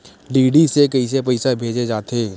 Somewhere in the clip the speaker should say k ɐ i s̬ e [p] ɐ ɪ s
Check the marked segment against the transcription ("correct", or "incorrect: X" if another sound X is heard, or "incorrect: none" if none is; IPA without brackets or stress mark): correct